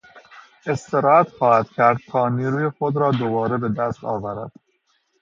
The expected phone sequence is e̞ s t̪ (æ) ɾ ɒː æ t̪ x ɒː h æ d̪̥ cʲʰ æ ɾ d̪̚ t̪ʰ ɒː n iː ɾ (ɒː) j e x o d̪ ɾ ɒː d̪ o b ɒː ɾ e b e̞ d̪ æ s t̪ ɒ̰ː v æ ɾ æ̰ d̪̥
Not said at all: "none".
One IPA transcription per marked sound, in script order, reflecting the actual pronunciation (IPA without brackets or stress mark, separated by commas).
e, uː